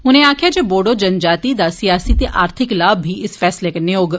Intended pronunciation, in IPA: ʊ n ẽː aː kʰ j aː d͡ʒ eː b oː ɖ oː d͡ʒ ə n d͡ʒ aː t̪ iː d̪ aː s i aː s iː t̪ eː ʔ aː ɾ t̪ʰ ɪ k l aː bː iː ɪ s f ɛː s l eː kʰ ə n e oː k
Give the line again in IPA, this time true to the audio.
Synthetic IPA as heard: ʊ n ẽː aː kʰ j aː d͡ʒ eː b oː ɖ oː d͡ʒ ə n d͡ʒ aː t̪ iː d̪ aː s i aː s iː t̪ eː ʔ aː ɾ t̪ʰ ɪ k l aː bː iː ɪ s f ɛː s l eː k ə n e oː ɡ